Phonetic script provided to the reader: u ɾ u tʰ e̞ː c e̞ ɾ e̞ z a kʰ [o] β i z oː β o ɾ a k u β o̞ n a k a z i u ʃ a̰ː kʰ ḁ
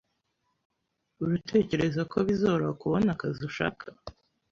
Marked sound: correct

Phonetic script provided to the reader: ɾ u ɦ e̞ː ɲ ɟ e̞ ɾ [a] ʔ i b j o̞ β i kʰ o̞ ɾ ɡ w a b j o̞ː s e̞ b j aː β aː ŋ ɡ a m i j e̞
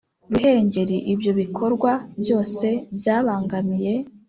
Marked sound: incorrect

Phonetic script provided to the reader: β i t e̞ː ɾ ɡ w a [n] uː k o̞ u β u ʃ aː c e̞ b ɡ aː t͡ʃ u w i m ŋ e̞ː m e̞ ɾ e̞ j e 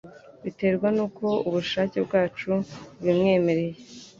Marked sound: correct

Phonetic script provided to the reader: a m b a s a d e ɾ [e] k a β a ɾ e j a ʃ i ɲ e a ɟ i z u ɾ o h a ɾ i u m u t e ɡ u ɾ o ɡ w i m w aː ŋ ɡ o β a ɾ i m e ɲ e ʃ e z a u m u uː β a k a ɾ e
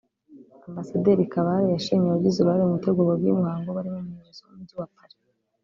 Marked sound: incorrect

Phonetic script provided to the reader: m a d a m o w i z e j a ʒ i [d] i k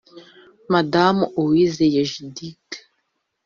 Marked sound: correct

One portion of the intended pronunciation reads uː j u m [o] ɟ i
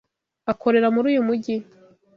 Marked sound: incorrect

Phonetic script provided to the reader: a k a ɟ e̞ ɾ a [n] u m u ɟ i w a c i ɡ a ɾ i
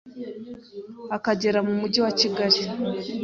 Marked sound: incorrect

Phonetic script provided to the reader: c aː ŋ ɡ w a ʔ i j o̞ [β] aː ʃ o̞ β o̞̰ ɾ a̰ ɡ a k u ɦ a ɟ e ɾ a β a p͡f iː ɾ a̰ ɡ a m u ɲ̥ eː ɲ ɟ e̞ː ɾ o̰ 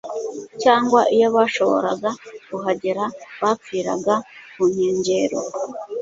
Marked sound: correct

